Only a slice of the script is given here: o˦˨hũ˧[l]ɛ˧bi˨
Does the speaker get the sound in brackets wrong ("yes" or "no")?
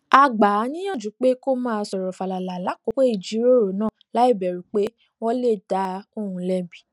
no